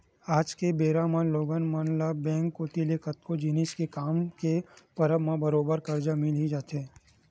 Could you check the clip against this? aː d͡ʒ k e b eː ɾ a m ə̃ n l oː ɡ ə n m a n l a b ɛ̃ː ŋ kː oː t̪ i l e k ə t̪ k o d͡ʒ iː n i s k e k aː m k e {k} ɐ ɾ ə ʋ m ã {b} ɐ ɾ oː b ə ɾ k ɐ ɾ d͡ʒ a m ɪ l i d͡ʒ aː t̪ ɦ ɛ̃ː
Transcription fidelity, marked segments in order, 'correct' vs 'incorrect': incorrect: p, correct

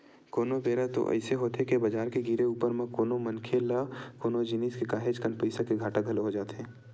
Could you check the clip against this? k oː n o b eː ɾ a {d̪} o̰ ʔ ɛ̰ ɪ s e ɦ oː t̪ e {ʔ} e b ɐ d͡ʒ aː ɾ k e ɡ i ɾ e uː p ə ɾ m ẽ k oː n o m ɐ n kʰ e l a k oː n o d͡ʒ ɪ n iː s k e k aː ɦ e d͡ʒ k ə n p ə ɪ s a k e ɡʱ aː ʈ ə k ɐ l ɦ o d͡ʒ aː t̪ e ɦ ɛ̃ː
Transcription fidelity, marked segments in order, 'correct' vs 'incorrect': incorrect: t̪, incorrect: k

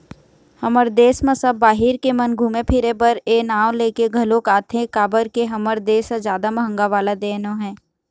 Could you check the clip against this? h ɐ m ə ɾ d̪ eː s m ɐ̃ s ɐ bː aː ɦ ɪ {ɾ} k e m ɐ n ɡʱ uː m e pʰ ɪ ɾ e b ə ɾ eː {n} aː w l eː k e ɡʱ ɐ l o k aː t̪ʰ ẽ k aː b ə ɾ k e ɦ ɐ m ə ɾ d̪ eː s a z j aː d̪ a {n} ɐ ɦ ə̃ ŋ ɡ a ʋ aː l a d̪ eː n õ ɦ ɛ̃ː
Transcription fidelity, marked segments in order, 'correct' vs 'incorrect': correct, correct, incorrect: m

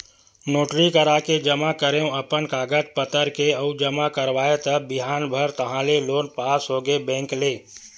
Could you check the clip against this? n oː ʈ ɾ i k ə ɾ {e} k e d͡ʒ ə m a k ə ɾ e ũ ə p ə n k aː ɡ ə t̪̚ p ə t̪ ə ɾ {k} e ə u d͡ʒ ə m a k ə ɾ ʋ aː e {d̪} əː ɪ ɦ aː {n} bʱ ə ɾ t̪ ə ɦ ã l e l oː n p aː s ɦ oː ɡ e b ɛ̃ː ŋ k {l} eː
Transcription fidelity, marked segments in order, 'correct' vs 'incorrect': incorrect: a, correct, incorrect: t̪, correct, correct

